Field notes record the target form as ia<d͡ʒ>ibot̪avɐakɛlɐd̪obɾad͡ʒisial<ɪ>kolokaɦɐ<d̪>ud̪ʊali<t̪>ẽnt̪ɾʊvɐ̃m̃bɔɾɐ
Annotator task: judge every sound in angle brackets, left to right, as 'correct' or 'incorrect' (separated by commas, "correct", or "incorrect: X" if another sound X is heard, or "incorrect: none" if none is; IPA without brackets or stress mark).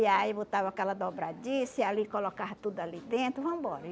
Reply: incorrect: none, incorrect: i, incorrect: t̪, incorrect: d̪